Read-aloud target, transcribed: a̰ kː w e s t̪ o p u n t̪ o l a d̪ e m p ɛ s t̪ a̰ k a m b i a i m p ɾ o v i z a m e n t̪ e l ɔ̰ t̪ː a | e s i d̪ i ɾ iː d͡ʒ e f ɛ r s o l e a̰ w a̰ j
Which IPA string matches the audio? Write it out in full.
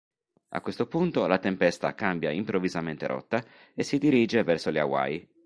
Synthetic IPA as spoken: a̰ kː w e s t̪ o p u n t̪ o l a t̪ e m p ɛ s t̪ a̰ k a m b j a i m p ɾ o v i z a m e n t̪ e ɾ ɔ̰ t̪ː a | e s i d̪ i ɾ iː d͡ʒ e v ɛ r s o l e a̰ w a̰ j